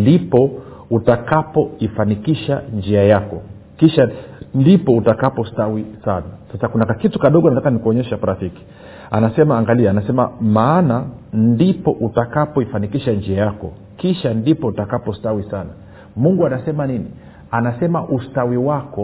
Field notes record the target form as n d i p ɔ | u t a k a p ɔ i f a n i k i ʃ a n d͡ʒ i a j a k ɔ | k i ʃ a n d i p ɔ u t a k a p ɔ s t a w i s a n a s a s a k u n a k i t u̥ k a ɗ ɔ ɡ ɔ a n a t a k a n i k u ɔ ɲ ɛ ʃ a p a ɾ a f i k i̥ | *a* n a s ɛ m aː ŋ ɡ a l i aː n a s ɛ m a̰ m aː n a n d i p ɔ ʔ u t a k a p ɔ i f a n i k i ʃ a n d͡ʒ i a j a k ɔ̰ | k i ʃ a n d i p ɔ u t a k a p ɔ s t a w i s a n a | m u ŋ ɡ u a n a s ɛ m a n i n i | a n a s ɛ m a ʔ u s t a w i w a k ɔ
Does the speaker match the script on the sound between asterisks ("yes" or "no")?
yes